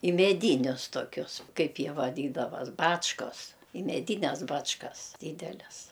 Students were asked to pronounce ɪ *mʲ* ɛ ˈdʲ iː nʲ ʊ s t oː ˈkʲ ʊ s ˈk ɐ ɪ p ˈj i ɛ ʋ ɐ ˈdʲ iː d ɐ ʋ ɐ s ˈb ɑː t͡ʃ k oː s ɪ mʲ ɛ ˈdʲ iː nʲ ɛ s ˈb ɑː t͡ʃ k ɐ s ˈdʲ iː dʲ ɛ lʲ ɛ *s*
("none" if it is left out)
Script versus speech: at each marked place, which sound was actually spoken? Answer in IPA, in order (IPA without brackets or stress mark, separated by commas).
mʲ, s